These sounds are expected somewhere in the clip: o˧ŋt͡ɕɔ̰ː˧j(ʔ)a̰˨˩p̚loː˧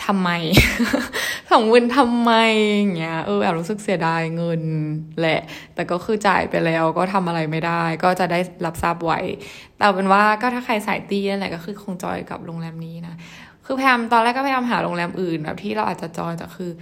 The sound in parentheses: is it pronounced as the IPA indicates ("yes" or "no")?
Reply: no